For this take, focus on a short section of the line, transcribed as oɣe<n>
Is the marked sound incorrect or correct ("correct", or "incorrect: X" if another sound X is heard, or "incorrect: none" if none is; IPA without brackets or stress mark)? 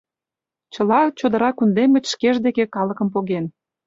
correct